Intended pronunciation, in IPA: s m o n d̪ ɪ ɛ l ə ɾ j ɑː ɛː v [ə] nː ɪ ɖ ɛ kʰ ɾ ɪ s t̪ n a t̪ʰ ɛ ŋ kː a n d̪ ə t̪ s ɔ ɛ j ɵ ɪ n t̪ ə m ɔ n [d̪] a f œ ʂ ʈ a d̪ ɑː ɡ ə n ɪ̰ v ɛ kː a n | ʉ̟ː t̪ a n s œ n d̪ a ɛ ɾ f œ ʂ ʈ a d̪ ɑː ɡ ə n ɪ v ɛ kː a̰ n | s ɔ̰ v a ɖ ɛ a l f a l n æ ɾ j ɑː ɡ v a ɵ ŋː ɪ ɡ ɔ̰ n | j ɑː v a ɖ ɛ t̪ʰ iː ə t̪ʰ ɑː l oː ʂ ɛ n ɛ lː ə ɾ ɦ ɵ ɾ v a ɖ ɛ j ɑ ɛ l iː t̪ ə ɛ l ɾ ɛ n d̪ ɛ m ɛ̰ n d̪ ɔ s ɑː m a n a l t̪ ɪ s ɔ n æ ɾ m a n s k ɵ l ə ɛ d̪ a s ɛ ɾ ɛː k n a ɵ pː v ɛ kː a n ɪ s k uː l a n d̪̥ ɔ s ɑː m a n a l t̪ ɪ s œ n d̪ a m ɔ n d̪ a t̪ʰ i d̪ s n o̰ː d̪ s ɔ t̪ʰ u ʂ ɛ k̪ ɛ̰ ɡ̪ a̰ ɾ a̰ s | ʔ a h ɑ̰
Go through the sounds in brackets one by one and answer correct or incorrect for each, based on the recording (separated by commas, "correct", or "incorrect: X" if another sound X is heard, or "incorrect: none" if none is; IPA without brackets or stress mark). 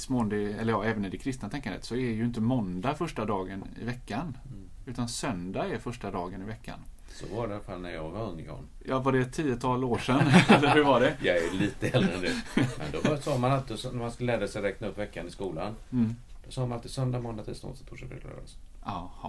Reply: correct, correct